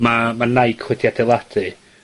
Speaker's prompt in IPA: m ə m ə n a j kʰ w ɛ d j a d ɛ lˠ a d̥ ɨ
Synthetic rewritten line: m a m a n a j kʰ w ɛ d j a d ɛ lˠ a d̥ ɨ